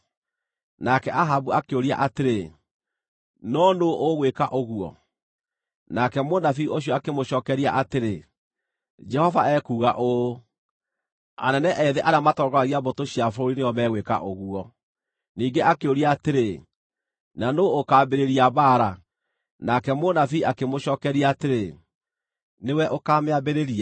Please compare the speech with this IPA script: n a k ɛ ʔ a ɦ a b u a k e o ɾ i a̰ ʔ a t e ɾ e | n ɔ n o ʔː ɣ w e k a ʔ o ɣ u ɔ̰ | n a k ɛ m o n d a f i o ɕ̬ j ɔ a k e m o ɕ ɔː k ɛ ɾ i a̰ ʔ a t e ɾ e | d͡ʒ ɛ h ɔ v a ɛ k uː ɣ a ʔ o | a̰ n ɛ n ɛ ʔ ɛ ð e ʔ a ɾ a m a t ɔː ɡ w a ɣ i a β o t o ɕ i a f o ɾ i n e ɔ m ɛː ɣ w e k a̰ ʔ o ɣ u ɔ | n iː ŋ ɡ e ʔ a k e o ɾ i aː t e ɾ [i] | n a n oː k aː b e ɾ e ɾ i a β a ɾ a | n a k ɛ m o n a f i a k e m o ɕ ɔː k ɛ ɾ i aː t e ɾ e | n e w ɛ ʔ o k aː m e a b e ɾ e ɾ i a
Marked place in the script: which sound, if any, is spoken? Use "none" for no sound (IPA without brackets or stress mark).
e